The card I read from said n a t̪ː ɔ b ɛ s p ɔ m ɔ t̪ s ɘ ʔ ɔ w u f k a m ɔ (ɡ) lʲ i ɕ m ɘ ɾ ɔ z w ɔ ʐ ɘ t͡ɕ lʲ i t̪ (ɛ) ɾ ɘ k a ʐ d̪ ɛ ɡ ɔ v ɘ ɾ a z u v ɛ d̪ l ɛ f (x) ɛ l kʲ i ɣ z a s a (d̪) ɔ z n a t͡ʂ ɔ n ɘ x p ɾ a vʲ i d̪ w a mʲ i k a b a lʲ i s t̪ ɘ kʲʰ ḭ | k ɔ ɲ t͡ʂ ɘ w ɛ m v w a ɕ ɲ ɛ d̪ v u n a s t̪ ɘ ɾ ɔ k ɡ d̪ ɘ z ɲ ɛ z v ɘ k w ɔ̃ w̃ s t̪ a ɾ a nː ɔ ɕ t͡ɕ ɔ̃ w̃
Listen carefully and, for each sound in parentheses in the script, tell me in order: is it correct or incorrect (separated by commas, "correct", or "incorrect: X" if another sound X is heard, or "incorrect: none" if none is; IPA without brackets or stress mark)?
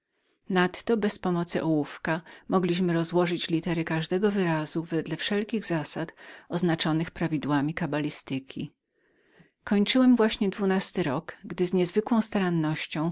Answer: correct, correct, incorrect: ʂ, incorrect: t̪